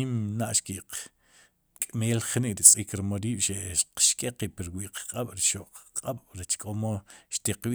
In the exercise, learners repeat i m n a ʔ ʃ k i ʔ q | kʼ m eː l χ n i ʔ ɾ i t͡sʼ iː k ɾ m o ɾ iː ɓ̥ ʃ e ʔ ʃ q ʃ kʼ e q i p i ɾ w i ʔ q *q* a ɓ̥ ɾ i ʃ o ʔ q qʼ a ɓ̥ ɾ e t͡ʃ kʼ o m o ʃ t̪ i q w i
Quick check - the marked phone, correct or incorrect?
incorrect